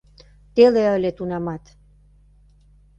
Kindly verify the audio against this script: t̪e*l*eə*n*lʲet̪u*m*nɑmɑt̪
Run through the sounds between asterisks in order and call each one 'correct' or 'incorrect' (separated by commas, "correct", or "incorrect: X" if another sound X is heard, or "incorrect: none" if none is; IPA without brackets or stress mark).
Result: correct, incorrect: none, incorrect: none